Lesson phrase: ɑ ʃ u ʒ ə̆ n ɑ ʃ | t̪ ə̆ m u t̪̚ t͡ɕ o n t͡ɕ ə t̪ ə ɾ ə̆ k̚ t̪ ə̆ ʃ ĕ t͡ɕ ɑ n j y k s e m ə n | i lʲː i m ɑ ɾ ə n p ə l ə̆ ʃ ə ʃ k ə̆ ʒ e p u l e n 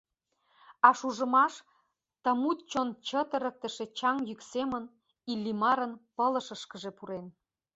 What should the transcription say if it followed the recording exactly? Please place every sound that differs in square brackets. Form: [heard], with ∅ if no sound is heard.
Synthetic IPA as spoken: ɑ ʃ u ʒ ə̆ [m] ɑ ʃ | t̪ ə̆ m u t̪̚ t͡ɕ o n t͡ɕ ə t̪ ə ɾ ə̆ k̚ t̪ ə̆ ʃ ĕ t͡ɕ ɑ [ŋ] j y k s e m ə n | i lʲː i m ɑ ɾ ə n p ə l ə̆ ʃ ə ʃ k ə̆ ʒ e p u [ɾ] e n